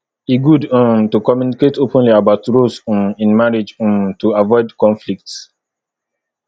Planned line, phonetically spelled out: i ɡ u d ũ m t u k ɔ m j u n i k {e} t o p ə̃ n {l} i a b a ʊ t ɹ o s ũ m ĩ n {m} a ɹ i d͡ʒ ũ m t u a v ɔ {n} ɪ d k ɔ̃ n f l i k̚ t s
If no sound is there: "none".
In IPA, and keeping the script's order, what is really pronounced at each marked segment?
e, l, m, none

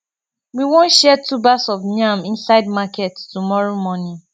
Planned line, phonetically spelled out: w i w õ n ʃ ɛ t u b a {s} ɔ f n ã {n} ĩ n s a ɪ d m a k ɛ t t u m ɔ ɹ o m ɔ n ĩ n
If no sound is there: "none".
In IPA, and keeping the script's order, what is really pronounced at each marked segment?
s, m

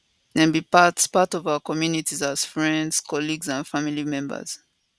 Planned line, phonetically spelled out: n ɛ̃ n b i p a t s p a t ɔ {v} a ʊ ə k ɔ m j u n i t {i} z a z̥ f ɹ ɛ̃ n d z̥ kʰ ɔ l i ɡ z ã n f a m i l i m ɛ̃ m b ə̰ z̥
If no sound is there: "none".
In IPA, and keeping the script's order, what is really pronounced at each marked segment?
v, i

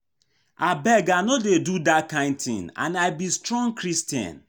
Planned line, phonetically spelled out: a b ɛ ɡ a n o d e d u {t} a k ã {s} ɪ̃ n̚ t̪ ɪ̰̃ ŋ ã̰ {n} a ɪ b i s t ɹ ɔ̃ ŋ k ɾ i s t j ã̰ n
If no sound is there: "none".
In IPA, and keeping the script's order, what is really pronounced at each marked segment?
d, none, n

